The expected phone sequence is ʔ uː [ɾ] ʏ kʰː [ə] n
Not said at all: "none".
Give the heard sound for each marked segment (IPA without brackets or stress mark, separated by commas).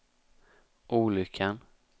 l, a